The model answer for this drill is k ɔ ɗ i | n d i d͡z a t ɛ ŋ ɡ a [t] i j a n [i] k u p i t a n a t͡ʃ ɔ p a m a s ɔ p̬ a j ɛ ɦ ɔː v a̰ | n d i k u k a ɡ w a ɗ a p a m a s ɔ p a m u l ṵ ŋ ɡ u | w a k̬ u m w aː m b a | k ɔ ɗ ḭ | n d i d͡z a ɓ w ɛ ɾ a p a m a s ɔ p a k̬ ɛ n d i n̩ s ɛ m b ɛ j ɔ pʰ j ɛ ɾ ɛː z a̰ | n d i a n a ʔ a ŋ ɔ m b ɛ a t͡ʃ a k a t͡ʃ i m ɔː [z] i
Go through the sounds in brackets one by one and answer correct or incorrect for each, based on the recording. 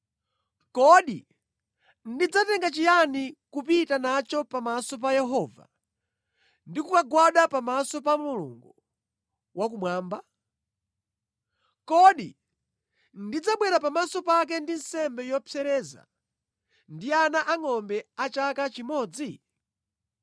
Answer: incorrect: t͡ʃ, correct, incorrect: d͡z

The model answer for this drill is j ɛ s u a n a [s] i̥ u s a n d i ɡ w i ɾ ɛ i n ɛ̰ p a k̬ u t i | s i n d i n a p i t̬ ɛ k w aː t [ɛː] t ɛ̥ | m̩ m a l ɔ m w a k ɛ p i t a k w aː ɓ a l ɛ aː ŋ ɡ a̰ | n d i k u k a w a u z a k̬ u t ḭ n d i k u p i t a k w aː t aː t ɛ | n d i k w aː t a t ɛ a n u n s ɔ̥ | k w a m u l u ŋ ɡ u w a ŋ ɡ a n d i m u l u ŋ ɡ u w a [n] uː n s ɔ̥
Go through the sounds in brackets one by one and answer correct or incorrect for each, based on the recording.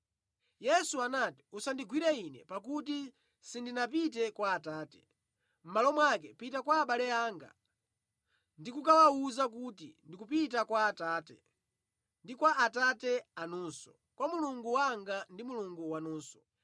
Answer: incorrect: t, incorrect: aː, correct

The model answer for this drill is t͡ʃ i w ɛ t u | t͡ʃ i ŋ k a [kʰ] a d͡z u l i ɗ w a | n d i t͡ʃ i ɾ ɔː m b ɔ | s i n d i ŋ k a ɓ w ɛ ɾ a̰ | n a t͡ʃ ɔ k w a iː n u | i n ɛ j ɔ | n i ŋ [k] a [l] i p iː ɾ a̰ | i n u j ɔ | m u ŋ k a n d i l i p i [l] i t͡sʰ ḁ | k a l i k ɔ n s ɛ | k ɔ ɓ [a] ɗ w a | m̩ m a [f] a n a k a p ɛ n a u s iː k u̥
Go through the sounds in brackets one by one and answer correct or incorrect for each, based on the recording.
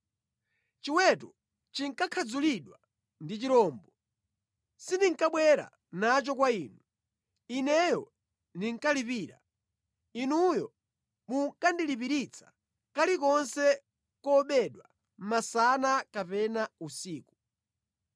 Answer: correct, correct, correct, incorrect: ɾ, incorrect: ɛ, incorrect: s

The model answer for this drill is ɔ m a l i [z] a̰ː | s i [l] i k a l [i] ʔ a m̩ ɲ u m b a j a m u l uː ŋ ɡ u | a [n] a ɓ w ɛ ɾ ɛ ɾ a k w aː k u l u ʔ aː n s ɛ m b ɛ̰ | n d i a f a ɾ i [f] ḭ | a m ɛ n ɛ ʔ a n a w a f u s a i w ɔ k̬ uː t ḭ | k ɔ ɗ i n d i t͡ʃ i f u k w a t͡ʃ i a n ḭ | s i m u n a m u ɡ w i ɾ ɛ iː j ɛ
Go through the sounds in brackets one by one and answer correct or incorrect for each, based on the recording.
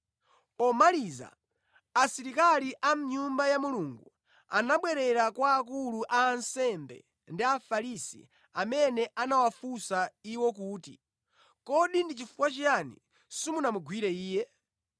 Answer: correct, incorrect: ɾ, correct, correct, incorrect: s

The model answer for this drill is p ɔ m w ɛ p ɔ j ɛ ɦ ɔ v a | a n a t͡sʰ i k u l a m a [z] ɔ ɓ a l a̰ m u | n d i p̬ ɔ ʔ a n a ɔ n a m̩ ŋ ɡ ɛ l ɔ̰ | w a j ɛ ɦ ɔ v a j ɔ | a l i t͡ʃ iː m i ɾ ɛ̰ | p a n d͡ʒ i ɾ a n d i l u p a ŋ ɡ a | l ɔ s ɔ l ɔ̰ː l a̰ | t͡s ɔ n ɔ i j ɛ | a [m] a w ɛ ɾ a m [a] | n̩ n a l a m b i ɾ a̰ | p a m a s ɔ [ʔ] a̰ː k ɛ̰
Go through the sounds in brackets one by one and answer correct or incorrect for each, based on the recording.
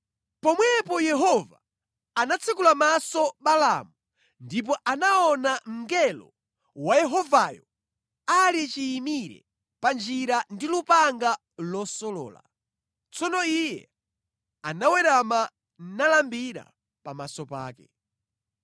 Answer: incorrect: s, incorrect: n, correct, incorrect: p

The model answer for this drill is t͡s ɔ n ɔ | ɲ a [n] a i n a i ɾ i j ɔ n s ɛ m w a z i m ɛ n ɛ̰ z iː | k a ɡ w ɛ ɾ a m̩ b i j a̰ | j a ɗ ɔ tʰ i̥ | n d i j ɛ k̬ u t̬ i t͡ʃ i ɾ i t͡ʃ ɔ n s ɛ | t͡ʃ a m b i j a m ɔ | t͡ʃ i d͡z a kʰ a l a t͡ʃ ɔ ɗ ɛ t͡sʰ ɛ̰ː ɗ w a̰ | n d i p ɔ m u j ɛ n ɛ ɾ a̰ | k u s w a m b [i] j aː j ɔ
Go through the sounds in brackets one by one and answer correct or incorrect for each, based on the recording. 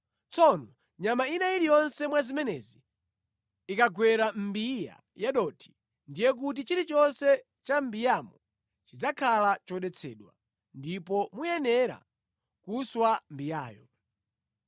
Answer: incorrect: m, correct

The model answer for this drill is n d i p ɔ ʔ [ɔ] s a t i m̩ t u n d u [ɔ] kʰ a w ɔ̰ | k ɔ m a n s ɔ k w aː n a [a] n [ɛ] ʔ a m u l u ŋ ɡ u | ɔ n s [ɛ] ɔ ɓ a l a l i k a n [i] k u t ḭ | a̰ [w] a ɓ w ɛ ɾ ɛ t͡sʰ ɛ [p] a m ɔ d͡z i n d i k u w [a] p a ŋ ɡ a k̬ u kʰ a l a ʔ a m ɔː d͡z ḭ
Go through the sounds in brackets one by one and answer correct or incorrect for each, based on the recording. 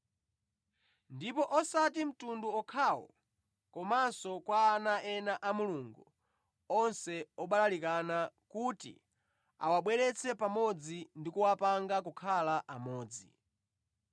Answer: correct, correct, incorrect: ɛ, incorrect: a, correct, incorrect: a, correct, correct, correct

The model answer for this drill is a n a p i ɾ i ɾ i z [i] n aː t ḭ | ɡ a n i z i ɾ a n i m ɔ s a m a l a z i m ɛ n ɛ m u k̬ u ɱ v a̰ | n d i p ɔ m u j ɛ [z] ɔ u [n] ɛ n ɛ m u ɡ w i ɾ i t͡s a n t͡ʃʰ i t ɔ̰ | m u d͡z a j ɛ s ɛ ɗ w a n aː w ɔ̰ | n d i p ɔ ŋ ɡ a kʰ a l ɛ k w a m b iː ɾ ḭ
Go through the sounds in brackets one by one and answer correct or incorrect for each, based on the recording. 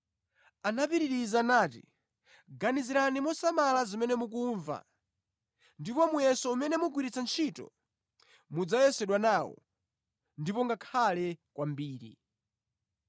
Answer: incorrect: a, incorrect: s, incorrect: m

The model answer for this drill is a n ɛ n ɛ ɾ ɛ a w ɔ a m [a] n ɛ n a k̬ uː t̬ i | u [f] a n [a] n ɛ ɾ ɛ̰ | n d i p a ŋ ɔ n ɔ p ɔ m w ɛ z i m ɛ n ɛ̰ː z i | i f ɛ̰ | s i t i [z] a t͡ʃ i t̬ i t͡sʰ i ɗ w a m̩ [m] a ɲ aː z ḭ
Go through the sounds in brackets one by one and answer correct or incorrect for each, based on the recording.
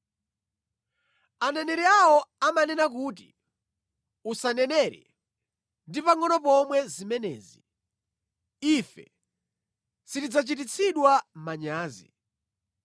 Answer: correct, incorrect: s, incorrect: ɛ, incorrect: d͡z, correct

